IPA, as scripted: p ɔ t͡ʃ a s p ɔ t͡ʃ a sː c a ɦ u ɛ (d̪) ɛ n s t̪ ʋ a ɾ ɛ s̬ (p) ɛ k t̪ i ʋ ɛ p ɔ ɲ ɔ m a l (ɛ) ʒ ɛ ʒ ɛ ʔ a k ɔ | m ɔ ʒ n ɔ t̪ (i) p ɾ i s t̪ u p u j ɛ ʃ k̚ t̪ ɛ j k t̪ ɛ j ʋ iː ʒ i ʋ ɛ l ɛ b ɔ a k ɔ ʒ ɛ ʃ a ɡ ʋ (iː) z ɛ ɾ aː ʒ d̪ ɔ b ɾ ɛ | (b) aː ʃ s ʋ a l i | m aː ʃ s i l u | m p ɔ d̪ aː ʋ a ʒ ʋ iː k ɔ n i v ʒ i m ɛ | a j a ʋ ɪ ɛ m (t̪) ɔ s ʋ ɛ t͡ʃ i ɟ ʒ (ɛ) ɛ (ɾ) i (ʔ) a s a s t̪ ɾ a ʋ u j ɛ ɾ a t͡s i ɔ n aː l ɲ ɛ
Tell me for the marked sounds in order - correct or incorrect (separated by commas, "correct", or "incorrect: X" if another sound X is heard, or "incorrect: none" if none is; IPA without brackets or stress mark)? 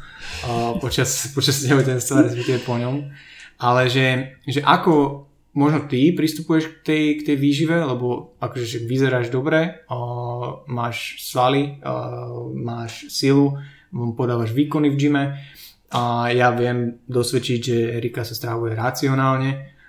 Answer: incorrect: t̪, correct, correct, correct, incorrect: i, incorrect: m, incorrect: d̪, correct, correct, incorrect: k